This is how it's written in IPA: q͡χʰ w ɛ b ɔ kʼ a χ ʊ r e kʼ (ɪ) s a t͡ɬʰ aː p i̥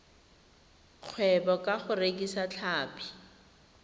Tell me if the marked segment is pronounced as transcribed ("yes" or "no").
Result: no